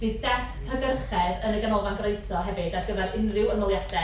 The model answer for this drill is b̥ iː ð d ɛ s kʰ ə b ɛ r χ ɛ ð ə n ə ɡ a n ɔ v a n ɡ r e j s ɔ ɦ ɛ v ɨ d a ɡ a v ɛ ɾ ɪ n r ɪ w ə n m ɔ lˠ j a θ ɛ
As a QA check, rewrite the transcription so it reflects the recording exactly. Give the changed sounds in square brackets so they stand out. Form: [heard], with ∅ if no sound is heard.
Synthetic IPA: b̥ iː ð d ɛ s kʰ ə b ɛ r χ ɛ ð ə n ə ɡ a n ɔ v a n ɡ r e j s ɔ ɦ ɛ v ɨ d a ɡ [ə] v ɛ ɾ ɪ n r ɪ w ə n m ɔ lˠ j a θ ɛ